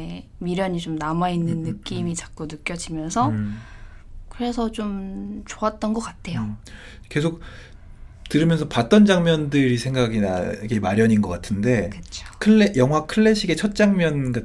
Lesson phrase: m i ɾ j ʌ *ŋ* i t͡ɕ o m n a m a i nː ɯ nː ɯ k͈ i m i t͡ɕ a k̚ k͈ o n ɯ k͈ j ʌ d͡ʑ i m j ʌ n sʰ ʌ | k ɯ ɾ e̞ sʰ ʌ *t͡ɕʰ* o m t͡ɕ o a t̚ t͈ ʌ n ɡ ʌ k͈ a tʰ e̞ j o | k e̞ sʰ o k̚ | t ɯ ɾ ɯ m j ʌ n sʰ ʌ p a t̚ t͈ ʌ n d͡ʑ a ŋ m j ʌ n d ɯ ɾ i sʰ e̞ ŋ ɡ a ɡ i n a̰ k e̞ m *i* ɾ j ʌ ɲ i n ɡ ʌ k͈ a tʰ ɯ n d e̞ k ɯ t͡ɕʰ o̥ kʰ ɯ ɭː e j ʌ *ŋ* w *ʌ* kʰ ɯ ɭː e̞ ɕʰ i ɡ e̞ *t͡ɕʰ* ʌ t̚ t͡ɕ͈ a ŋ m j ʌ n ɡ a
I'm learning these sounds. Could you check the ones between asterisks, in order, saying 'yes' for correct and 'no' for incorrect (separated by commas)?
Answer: no, no, no, yes, no, yes